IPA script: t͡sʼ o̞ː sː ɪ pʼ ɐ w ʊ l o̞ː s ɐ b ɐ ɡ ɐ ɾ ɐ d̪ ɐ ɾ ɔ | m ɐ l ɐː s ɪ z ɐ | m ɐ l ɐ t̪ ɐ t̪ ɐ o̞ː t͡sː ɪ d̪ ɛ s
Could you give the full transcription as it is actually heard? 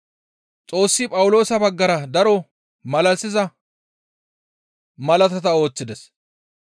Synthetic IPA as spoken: t͡sʼ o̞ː sː ɪ pʼ ɐ w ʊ l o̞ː s ɐ b ɐ ɡː ɐ ɾ ɐ d̪ ɐ ɾ ɔ | m ɐ l ɐ s ɪ z ɐ | m ɐ l ɐ t̪ ɐ t̪ ɐ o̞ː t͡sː ɪ d̪ ɛ s